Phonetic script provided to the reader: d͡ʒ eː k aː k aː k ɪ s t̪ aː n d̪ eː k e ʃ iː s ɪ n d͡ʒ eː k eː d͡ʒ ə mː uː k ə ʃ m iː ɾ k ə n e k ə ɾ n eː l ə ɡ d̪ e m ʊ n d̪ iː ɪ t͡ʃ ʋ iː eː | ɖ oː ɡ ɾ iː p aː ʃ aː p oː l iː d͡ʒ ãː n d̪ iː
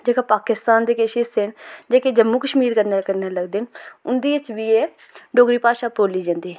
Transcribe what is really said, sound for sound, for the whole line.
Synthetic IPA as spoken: d͡ʒ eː k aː p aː k ɪ s t̪ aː n d̪ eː k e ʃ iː s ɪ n d͡ʒ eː k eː d͡ʒ ə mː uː k ə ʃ m iː ɾ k ə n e k ə ɾ n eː l ə ɡ d̪ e n ʊ n d̪ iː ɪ t͡ʃ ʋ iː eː | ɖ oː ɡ ɾ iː p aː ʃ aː p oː l iː d͡ʒ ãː n d̪ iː